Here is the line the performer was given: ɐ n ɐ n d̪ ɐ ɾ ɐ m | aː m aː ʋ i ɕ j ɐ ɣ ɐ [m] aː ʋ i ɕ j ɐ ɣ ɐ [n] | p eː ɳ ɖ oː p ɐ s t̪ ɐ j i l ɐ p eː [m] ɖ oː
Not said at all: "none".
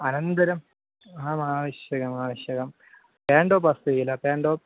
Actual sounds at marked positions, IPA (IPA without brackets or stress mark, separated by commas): m, m, ɳ